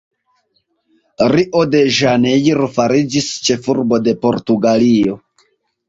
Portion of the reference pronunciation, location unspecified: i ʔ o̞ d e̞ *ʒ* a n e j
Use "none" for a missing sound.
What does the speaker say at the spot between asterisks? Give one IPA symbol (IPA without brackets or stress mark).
ʒ